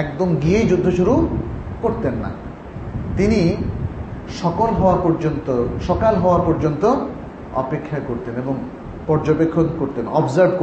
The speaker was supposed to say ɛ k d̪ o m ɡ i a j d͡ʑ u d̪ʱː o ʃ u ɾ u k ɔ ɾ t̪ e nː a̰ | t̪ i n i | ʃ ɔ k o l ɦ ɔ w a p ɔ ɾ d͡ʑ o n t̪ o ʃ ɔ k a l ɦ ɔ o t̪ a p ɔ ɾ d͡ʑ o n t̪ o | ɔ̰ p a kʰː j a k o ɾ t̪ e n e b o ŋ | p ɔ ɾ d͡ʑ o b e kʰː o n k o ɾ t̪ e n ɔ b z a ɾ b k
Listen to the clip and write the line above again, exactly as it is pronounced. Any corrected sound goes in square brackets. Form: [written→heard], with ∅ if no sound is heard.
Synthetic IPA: ɛ k d̪ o m ɡ i [a→e] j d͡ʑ u d̪ʱː o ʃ u ɾ u k [ɔ→o] ɾ t̪ e nː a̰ | t̪ i n i | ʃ ɔ k o l ɦ ɔ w a p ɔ ɾ d͡ʑ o n t̪ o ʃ ɔ k a l ɦ ɔ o [t̪→∅] a p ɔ ɾ d͡ʑ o n t̪ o | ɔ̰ p [a→e] kʰː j a k o ɾ t̪ e n e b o ŋ | p ɔ ɾ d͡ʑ o b e kʰː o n k o ɾ t̪ e n ɔ b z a ɾ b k